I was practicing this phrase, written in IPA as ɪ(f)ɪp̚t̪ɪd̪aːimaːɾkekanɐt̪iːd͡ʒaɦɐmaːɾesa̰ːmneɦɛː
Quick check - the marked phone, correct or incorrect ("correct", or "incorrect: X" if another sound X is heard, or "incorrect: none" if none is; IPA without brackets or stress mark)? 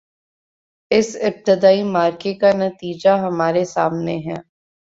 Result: incorrect: s